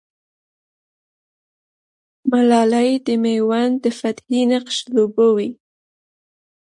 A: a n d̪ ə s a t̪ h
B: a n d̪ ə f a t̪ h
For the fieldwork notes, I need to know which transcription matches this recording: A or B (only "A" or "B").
B